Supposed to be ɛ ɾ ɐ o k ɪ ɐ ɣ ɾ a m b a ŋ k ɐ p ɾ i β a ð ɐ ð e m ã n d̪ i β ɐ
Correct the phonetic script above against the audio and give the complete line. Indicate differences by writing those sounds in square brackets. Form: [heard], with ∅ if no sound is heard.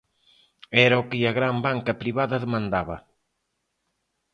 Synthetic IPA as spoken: ɛ ɾ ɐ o k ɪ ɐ ɣ ɾ a m b a ŋ k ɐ p ɾ i β a ð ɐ ð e m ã n d̪ [a] β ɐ

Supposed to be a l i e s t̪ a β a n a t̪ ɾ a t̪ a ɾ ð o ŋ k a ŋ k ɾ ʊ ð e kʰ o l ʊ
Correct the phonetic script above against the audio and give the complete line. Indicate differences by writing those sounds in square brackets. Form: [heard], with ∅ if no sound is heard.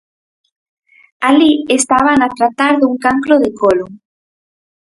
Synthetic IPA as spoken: a l i e s t̪ a β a n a t̪ ɾ a t̪ a ɾ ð [u] ŋ k a ŋ k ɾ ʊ ð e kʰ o l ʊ

